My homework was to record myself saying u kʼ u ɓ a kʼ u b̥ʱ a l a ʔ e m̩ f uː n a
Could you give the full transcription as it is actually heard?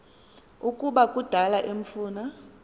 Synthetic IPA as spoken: u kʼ u ɓ a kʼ u d̥ʱ a l a ʔ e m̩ f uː n a